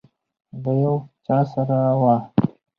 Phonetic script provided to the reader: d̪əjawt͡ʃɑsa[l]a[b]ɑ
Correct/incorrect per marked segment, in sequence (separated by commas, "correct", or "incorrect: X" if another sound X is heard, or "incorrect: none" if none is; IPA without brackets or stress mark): incorrect: ɾ, incorrect: w